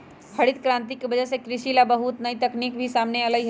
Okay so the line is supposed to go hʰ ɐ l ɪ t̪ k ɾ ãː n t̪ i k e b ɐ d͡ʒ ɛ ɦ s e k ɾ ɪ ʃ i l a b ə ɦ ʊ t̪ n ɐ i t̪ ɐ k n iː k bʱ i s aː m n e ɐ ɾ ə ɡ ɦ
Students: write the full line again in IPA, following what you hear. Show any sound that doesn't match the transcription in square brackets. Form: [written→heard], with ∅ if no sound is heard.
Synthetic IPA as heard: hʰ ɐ [l→ɽ] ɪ t̪ k ɾ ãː n t̪ i k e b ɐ d͡ʒ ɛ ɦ s e k ɾ ɪ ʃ i l a b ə ɦ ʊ t̪ n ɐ i t̪ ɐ k n iː k bʱ i s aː m n e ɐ [ɾ→l] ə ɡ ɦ

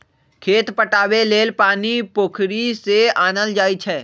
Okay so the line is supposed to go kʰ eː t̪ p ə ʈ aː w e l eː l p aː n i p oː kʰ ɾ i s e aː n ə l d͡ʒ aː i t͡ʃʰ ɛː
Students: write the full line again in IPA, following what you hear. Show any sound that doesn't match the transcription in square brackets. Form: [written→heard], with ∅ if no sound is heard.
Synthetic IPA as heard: kʰ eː t̪ p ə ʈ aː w e l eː l p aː n i p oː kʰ ɾ i s e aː n ə l d͡ʒ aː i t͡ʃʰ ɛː

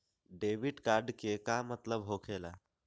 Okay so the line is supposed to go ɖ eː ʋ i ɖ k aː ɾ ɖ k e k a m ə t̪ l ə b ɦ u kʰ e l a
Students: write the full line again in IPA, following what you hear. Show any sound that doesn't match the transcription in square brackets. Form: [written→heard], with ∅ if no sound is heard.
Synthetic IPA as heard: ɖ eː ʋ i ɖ k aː ɾ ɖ k e k a m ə t̪ l ə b ɦ [u→o] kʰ e l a

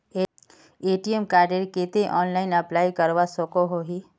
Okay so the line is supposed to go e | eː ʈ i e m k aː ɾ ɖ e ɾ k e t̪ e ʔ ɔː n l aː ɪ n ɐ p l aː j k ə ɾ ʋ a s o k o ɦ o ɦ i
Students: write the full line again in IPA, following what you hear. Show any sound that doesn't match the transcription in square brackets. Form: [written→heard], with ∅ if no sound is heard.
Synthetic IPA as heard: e | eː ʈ i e m k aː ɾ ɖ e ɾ k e t̪ e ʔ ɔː n l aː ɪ n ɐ p l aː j k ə ɾ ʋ a s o k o ɦ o ɦ i

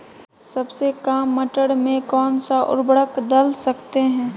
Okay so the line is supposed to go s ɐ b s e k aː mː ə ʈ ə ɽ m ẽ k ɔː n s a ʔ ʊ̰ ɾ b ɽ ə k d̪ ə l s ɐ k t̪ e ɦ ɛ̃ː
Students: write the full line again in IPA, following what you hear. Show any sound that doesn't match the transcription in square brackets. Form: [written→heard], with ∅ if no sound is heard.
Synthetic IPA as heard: s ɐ b s e k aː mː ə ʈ ə ɽ m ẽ k ɔː n s a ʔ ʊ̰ ɾ b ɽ ə k d̪ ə l s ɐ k t̪ e ɦ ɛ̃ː

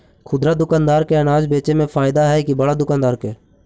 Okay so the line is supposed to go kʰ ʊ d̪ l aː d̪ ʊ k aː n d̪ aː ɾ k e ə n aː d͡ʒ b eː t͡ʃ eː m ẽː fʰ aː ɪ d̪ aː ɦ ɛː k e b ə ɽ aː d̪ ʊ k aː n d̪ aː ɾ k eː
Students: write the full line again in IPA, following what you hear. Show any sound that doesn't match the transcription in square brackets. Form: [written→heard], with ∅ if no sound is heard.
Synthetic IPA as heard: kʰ ʊ d̪ [l→ɾ] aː d̪ ʊ k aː n d̪ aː ɾ k e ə n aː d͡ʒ b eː t͡ʃ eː m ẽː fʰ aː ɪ d̪ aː ɦ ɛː k [e→i] b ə ɽ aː d̪ ʊ k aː n d̪ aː ɾ k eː

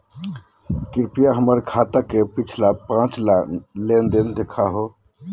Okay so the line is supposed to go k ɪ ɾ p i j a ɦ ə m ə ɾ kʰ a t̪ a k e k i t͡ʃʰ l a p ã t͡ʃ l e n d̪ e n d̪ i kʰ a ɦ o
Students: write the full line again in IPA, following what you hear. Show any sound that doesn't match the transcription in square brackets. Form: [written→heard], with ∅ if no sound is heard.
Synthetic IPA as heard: k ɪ ɾ p i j a ɦ ə m ə ɾ kʰ a t̪ a k e [k→p] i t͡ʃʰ l a p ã t͡ʃ l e n d̪ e n d̪ [i→e] kʰ a ɦ o

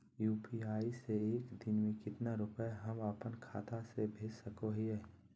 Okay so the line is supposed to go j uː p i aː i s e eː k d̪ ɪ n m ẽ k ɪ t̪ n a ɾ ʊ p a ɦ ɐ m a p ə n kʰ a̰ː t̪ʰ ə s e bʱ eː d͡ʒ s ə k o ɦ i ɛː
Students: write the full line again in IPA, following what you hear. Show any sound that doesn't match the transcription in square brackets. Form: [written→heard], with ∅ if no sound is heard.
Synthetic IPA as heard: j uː p i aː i s e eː k d̪ ɪ n m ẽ k ɪ t̪ n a ɾ ʊ p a ɦ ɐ m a p ə n kʰ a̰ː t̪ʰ [ə→a] s e bʱ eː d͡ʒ s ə k o ɦ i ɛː

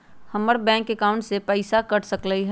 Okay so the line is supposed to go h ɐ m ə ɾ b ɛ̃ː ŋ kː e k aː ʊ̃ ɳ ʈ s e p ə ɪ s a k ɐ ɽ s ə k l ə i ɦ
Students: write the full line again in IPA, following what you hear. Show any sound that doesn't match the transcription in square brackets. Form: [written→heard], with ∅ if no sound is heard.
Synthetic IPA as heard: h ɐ m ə ɾ b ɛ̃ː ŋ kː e k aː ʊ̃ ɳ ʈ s e p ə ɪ s a k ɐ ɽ s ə k l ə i ɦ

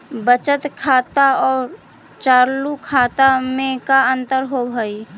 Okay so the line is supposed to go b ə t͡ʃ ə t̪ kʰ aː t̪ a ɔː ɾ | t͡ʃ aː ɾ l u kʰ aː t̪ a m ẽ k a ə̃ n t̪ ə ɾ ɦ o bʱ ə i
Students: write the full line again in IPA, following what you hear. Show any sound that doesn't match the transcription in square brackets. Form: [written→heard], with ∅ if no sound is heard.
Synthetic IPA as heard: b ə t͡ʃ ə t̪ kʰ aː t̪ a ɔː ɾ | t͡ʃ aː ɾ l u kʰ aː t̪ a m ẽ k a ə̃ n t̪ ə ɾ ɦ o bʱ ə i

